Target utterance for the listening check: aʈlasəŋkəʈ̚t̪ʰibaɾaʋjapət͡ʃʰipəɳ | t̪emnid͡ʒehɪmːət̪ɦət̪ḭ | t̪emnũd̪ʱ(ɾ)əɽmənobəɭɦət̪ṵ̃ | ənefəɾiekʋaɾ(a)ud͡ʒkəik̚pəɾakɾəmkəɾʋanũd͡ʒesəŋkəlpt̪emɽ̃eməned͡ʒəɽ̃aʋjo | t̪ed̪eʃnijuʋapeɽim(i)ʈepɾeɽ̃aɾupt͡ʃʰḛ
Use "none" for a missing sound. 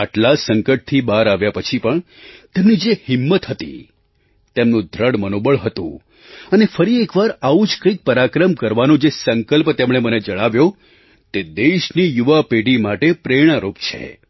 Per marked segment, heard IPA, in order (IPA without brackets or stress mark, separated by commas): ɾ, a, a